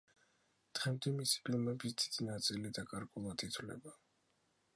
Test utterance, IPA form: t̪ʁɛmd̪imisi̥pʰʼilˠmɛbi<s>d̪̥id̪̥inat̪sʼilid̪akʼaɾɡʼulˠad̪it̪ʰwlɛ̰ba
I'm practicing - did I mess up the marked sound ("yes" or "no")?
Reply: no